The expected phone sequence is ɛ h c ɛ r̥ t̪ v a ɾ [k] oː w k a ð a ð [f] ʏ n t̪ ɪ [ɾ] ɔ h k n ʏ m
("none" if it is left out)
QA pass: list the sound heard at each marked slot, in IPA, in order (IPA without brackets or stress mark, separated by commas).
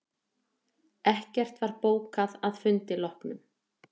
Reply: p, f, l